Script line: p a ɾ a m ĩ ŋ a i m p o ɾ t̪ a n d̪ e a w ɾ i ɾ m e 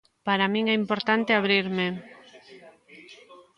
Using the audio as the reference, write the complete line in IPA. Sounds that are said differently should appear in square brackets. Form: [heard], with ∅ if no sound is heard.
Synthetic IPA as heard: p a ɾ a m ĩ ŋ [ɛ] i m p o ɾ t̪ a n [t̪] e a [β] ɾ i ɾ m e

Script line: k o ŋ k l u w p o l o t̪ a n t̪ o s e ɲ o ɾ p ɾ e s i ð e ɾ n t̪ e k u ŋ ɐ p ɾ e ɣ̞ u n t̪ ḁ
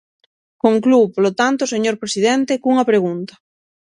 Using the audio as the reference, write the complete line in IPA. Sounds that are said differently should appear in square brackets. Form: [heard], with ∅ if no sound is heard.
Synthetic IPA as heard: k o ŋ k l u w p o l o t̪ a n t̪ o s e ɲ o ɾ p ɾ e s i ð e [∅] n t̪ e k u ŋ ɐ p ɾ e ɣ̞ u n t̪ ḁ

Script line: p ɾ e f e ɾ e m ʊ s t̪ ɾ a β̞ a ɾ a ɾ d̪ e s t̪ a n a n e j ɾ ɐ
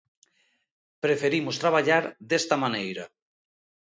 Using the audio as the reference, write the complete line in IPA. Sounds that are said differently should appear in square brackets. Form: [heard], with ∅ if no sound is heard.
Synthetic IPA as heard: p ɾ e f e ɾ [i] m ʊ s t̪ ɾ a β̞ a [ʎ] a ɾ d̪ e s t̪ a [m] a n e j ɾ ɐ

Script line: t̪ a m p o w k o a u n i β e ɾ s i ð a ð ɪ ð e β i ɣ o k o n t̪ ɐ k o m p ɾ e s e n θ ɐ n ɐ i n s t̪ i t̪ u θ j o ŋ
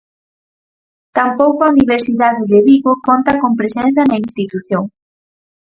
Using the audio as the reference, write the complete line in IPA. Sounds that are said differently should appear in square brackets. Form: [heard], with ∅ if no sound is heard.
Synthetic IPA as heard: t̪ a m p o w k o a u n i β e ɾ s i ð a ð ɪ ð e β i ɣ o k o n t̪ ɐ k o m p ɾ e s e n θ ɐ n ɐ i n s t̪ i t̪ u θ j o ŋ

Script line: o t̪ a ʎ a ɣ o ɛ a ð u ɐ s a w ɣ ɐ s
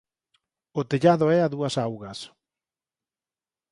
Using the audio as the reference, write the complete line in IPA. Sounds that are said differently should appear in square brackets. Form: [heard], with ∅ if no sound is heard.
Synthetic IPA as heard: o t̪ [e] ʎ a [ð] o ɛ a ð u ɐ s a w ɣ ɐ s

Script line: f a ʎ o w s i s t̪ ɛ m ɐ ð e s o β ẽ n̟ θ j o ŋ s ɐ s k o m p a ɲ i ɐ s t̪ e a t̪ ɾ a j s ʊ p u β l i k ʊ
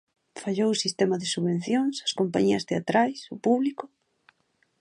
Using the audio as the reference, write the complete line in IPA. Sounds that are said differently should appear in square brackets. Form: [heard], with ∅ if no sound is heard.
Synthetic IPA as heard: f a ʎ o w s i s t̪ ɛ m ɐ ð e s [u] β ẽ n̟ θ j o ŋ s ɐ s k o m p a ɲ i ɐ s t̪ e a t̪ ɾ a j s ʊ p u β l i k ʊ

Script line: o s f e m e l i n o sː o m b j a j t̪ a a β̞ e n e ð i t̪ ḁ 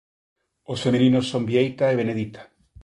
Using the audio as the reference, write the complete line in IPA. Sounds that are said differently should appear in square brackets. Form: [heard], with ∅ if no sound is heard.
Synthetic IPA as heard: o s f e m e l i n o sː o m b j [e] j t̪ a [e] β̞ e n e ð i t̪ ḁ

